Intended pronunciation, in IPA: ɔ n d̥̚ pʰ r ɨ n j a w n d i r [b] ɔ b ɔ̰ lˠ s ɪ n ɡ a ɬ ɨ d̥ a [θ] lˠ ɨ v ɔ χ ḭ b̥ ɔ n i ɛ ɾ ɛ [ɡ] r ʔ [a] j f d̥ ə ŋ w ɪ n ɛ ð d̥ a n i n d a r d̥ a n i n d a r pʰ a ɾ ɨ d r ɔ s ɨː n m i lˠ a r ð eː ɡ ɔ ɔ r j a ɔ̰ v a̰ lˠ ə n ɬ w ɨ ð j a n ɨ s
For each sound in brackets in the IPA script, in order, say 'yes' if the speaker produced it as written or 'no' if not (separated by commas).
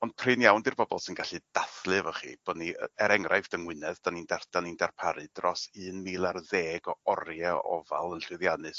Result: yes, yes, no, yes